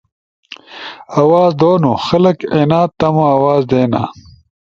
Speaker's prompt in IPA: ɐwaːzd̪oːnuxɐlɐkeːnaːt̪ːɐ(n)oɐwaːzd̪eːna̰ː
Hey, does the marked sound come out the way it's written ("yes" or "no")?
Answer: no